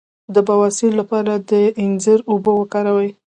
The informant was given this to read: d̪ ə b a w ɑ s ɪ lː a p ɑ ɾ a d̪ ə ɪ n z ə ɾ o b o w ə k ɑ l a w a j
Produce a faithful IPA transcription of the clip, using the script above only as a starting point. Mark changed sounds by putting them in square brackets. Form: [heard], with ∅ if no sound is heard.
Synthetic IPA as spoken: d̪ ə b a w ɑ s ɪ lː a p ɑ ɾ a d̪ ə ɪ n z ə ɾ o b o w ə k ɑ [ɾ] a w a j